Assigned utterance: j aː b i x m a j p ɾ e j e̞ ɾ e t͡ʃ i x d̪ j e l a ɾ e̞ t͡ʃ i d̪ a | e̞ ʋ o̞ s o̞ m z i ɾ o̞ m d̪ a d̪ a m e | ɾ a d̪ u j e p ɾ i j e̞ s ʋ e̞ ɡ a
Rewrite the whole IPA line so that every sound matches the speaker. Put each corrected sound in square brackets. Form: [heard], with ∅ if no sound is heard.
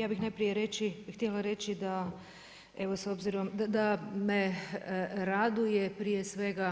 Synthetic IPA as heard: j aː b i x [n] a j p ɾ [i] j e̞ ɾ e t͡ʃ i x [t̪] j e l a ɾ e̞ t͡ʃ i d̪ a | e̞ ʋ o̞ s o̞ [b] z i ɾ o̞ m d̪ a d̪ a m e | ɾ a d̪ u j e p ɾ i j e̞ s ʋ e̞ ɡ a